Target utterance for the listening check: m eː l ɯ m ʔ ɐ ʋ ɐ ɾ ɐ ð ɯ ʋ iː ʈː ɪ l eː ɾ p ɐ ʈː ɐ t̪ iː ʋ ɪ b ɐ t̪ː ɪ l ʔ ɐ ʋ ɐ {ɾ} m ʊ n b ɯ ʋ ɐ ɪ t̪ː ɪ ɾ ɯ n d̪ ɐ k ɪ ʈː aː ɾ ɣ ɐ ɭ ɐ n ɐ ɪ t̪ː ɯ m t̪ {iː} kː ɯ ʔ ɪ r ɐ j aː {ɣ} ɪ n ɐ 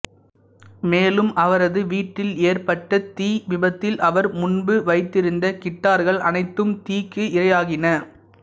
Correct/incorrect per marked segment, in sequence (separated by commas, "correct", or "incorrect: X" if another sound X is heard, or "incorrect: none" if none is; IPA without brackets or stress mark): correct, correct, correct